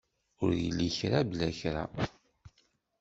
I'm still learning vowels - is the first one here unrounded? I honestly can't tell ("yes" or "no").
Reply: no